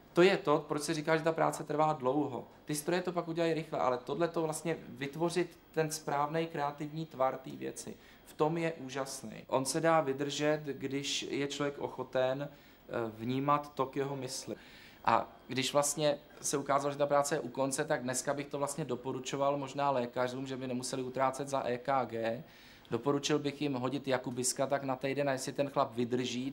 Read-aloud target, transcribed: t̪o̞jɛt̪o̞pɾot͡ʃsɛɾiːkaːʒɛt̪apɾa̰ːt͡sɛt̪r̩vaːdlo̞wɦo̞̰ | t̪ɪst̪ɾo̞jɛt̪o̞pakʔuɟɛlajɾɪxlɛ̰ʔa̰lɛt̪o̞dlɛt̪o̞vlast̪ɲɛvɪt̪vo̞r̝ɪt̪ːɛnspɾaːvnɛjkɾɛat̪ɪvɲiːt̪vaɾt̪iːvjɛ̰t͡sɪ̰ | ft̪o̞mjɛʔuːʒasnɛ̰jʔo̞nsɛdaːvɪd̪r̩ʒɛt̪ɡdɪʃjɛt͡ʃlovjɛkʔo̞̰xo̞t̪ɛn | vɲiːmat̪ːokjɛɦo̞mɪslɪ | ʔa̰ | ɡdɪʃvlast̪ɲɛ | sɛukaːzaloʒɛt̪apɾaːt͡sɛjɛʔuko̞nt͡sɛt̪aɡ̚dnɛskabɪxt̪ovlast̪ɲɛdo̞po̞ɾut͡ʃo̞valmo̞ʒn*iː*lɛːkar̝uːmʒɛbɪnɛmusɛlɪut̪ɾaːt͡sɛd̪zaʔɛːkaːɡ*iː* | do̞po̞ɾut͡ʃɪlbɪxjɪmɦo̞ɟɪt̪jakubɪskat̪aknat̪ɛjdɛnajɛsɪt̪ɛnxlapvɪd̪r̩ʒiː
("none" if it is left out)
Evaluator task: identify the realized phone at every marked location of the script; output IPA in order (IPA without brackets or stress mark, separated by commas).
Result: aː, ɛː